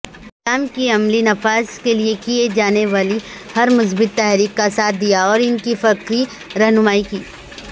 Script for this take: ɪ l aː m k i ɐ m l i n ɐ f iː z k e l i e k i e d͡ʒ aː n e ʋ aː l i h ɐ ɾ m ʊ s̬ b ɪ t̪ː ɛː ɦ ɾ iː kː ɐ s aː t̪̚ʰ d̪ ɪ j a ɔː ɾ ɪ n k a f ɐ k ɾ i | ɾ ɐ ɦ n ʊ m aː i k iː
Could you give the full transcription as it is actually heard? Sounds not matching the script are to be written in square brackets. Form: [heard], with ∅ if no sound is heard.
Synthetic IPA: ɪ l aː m k i ɐ m l i n ɐ f [aː] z k e l i e k i e d͡ʒ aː n e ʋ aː l i h ɐ ɾ m ʊ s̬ b ɪ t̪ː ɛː ɦ ɾ iː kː [a] s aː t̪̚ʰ d̪ [i] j a ɔː ɾ ɪ n k [i] f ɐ k ɾ i | ɾ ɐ ɦ n ʊ m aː i k iː

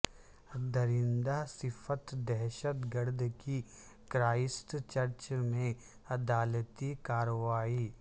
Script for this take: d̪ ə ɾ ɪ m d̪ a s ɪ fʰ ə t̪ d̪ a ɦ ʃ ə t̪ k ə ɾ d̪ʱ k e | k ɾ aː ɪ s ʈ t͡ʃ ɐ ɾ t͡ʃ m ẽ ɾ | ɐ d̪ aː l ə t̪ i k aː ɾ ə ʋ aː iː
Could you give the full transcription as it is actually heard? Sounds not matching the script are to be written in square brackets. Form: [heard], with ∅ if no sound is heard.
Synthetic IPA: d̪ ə ɾ ɪ [n] d̪ a s ɪ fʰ ə t̪ d̪ [ɛ] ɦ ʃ ə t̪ [ɡ] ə ɾ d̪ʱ k [i] | k ɾ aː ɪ s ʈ t͡ʃ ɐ ɾ t͡ʃ m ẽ [∅] | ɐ d̪ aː l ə t̪ i k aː ɾ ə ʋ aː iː

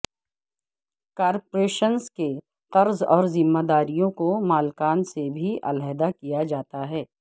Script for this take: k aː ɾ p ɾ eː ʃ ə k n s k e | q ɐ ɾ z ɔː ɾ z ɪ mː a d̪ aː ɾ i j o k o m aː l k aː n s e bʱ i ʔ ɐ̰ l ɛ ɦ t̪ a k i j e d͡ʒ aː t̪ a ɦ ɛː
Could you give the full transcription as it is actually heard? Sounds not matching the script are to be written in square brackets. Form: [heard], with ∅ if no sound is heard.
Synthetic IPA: k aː ɾ p ɾ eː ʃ ə [∅] n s k e | q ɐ ɾ z ɔː ɾ z ɪ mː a d̪ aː ɾ i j [õ] k o m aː l k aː n s e bʱ i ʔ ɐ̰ l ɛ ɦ [d̪] a k i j [a] d͡ʒ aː t̪ a ɦ ɛː

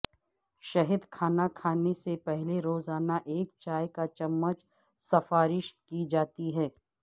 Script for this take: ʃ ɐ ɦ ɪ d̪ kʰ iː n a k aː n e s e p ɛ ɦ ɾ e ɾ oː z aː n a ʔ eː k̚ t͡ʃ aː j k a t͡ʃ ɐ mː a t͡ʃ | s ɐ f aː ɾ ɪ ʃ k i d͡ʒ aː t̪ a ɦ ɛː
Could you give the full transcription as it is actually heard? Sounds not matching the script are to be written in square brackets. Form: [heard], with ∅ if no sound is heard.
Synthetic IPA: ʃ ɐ ɦ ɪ d̪ kʰ [aː] n a [kʰ] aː n e s e p ɛ ɦ [l] e ɾ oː z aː n a ʔ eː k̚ t͡ʃ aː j k a t͡ʃ ɐ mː [ə] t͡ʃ | s ɐ f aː ɾ ɪ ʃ k i d͡ʒ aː t̪ [i] ɦ ɛː

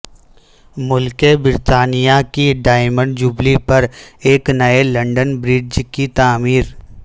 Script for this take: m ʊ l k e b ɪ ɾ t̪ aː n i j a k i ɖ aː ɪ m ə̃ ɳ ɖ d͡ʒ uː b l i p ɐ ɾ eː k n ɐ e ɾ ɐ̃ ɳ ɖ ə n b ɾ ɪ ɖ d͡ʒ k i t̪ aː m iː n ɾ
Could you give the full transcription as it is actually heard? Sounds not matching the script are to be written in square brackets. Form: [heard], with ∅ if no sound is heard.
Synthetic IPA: m ʊ l k e b ɪ ɾ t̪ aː n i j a k i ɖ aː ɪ m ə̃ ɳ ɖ d͡ʒ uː b l i p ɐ ɾ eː k n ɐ e [l] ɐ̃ ɳ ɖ ə n b ɾ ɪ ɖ d͡ʒ k i t̪ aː m iː [∅] ɾ

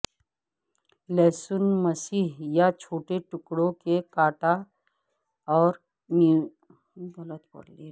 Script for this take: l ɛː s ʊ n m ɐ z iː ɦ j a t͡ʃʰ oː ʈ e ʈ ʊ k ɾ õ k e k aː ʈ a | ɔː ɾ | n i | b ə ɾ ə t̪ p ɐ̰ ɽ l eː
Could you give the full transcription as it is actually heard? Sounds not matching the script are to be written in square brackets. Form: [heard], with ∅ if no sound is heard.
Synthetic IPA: l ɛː s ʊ n m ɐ [s] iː ɦ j a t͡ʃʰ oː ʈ e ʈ ʊ k [ɽ] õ k e k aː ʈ a | ɔː ɾ | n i | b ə [l] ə t̪ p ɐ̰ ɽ l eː

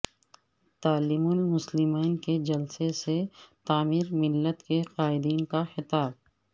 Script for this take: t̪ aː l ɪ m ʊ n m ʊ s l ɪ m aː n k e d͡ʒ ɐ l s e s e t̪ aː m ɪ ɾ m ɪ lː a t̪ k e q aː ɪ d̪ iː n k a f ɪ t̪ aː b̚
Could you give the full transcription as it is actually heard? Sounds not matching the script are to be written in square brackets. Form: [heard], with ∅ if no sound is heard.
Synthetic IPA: t̪ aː l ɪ m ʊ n m ʊ s l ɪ m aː n k e d͡ʒ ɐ l s e s e t̪ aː m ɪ ɾ m ɪ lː [ə] t̪ k e q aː ɪ d̪ iː n k a [x] ɪ t̪ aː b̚

